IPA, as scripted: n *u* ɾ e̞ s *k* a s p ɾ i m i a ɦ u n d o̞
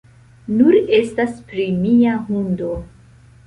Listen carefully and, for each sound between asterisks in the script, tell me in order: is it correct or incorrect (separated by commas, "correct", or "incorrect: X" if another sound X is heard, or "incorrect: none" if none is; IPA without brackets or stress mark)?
correct, incorrect: t